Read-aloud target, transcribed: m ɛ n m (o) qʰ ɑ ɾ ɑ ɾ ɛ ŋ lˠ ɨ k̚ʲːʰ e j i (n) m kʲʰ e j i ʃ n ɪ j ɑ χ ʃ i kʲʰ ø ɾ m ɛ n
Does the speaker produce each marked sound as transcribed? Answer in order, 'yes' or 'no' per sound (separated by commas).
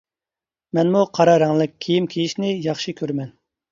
no, no